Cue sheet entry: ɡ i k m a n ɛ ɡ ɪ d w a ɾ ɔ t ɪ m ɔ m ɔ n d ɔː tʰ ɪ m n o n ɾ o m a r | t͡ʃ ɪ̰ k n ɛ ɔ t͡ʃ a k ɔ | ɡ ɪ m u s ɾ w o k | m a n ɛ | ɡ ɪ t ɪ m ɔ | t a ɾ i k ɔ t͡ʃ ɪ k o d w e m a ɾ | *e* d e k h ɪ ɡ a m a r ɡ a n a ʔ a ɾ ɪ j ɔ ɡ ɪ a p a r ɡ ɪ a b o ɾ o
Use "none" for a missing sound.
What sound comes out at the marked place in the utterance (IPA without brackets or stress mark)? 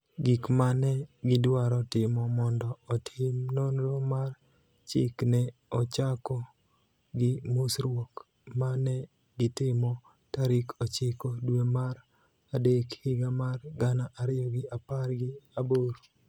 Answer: a